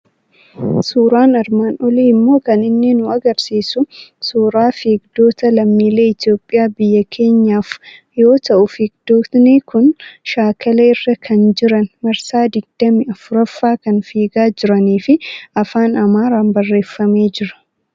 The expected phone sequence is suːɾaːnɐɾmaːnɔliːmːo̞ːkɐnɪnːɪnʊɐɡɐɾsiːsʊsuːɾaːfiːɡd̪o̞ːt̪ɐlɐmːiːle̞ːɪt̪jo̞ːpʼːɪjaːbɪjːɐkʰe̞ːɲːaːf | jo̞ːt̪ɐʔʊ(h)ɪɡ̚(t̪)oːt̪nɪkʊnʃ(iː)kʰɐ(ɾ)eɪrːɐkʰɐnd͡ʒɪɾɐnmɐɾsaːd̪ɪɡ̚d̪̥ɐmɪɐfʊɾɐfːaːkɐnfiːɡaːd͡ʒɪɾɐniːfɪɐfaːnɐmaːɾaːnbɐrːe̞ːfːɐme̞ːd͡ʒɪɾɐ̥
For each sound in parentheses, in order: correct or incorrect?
incorrect, incorrect, incorrect, incorrect

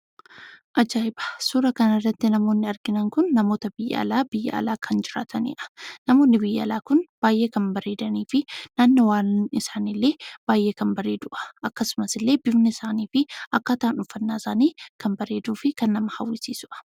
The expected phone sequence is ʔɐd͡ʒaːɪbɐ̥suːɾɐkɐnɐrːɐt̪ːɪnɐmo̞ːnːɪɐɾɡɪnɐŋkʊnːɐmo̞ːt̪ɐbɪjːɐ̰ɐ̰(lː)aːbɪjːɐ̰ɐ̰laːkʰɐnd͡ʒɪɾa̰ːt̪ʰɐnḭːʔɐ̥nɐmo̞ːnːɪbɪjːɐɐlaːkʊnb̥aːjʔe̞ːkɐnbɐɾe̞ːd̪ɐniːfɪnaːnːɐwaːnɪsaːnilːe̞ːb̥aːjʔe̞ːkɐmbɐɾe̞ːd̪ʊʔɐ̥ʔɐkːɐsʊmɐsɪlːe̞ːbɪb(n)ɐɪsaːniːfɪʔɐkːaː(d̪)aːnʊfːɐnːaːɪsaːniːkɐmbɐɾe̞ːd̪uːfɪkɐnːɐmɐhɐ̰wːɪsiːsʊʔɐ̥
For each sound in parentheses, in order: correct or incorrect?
incorrect, correct, incorrect

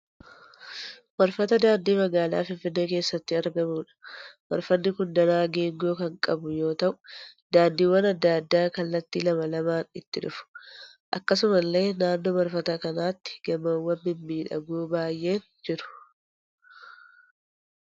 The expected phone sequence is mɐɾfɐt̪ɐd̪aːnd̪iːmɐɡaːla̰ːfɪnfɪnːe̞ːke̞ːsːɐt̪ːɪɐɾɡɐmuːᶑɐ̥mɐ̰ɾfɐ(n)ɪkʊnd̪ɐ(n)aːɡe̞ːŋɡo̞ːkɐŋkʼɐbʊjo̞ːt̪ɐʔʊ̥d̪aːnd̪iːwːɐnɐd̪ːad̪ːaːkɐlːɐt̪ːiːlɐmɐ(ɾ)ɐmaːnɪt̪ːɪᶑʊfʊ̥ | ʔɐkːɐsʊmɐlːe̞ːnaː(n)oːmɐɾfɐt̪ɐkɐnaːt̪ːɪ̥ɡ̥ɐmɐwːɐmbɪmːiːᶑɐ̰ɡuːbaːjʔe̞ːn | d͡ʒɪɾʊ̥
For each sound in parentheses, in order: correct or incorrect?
incorrect, correct, incorrect, incorrect

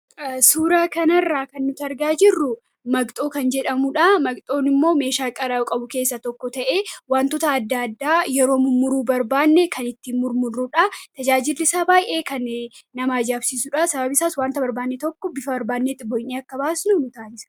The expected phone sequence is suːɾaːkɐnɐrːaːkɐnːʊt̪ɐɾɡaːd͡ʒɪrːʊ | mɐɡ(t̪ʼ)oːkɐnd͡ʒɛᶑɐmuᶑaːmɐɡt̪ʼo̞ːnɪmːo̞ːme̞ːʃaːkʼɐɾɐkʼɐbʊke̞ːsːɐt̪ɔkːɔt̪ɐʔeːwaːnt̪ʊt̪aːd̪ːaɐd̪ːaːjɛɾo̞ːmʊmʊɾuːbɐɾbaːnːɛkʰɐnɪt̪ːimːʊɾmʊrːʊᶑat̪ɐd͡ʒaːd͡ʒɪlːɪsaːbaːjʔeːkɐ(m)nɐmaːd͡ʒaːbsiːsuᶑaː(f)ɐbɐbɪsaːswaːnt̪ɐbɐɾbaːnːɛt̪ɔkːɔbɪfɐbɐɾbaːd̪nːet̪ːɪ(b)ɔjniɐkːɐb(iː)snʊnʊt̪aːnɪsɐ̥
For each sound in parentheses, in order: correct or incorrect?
correct, incorrect, incorrect, correct, incorrect

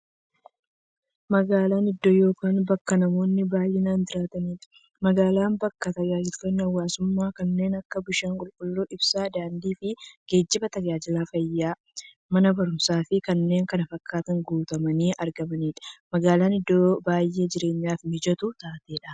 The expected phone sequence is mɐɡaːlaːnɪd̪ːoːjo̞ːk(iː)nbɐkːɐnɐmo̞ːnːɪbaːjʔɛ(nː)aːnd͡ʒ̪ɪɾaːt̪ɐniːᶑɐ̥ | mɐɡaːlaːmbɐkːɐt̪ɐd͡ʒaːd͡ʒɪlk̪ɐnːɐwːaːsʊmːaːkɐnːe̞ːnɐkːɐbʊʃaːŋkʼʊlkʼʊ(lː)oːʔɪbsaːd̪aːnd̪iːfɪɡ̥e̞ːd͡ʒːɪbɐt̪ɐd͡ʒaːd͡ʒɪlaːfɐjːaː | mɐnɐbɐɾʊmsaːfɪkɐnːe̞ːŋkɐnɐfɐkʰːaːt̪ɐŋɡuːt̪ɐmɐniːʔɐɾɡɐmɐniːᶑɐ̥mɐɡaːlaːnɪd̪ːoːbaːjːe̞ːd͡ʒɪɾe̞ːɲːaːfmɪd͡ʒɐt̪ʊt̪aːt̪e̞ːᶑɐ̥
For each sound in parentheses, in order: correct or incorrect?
incorrect, incorrect, correct

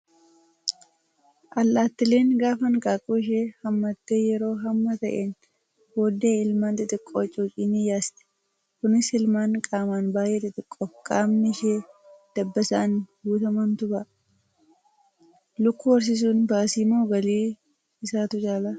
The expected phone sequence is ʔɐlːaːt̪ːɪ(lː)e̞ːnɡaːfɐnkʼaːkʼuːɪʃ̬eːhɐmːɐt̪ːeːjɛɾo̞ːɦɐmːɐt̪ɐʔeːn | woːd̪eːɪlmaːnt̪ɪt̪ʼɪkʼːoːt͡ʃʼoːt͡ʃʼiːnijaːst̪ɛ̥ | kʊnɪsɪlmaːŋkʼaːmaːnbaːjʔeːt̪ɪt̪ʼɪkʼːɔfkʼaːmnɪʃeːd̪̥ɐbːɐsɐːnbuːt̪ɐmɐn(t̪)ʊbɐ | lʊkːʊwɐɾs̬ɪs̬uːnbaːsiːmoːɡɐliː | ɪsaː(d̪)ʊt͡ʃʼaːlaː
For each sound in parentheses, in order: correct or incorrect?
incorrect, correct, incorrect

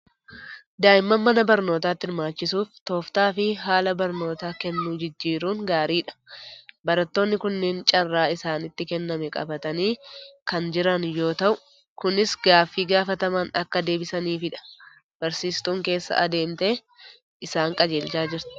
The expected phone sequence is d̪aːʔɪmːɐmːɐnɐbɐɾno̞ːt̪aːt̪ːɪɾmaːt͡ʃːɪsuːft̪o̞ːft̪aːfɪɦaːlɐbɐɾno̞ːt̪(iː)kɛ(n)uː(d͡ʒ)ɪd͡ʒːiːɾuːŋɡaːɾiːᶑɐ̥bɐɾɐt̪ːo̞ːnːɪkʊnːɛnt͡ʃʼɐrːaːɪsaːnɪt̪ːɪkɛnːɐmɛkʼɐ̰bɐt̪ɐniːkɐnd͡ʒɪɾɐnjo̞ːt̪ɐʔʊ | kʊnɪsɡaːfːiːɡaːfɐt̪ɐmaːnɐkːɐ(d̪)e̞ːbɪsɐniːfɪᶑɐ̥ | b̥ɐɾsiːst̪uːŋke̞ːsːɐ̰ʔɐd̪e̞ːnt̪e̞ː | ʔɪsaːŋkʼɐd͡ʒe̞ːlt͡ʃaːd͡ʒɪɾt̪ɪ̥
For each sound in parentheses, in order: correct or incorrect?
incorrect, incorrect, correct, correct

